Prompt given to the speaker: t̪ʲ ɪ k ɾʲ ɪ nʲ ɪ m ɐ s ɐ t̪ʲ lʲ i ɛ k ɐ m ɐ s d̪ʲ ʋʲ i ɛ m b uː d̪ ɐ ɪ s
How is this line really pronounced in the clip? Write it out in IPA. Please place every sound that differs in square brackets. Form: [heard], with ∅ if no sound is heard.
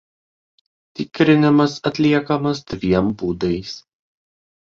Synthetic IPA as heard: t̪ʲ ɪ k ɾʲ ɪ nʲ ɪ m ɐ s ɐ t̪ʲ lʲ i ɛ k ɐ m ɐ s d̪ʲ ʋʲ i ɛ m b uː d̪ ɐ ɪ s